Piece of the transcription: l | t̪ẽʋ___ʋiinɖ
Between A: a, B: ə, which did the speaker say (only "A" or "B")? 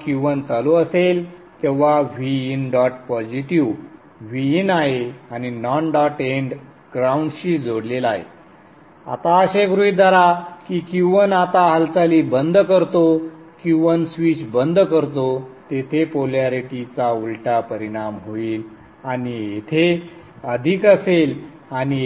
A